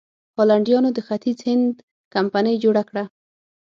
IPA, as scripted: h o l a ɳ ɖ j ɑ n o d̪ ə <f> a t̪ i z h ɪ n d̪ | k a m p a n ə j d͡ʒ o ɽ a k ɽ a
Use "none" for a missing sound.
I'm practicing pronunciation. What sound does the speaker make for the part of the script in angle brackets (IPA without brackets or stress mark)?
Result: x